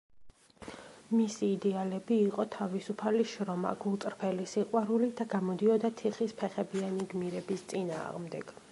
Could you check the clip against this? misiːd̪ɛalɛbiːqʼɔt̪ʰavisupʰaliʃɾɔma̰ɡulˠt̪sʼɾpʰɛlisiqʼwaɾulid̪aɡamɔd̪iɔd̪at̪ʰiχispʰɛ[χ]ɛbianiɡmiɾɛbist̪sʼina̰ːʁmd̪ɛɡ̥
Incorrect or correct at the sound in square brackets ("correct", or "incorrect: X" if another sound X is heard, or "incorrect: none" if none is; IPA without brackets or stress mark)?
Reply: correct